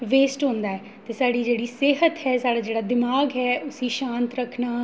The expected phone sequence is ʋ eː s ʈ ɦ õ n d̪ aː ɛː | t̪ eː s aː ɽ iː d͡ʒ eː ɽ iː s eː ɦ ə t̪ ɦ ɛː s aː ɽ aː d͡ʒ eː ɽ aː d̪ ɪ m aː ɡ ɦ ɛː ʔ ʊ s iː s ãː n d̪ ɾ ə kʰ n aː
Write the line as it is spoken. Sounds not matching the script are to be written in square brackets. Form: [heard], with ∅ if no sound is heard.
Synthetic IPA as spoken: ʋ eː s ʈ ɦ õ n d̪ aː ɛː | t̪ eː s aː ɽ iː d͡ʒ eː ɽ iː s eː ɦ ə t̪ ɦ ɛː s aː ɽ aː d͡ʒ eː ɽ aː d̪ ɪ m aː ɡ ɦ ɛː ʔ ʊ s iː [ʃ] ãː n [t̪] ɾ ə kʰ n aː